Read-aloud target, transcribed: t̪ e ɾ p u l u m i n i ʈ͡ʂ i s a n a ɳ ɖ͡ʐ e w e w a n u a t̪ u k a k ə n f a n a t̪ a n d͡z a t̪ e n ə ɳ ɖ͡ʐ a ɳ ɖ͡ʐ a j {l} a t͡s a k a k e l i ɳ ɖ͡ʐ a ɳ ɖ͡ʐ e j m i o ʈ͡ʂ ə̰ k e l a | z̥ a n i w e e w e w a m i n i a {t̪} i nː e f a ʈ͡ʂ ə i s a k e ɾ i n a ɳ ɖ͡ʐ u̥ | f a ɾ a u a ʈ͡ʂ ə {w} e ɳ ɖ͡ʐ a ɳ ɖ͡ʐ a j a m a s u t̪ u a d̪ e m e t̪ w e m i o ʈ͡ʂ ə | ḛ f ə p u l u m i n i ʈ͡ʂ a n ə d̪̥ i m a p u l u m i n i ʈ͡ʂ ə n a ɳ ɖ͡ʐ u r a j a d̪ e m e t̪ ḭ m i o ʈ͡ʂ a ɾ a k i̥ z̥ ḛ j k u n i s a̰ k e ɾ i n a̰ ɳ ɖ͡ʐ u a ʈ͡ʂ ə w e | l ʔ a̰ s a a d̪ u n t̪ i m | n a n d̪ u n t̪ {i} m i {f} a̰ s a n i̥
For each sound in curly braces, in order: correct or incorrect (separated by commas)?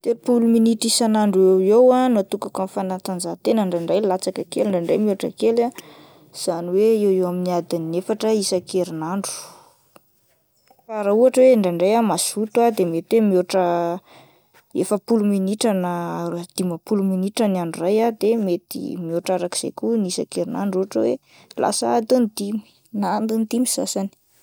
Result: correct, incorrect, correct, correct, incorrect